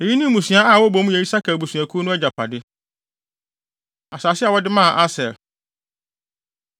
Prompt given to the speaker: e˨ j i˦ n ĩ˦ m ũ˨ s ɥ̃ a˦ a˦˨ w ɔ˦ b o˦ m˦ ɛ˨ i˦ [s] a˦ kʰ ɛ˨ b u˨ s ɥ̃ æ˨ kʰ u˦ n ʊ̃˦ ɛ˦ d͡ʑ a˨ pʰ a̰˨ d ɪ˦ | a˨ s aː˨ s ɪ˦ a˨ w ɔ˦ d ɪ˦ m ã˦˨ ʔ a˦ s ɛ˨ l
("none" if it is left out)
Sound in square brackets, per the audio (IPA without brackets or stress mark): s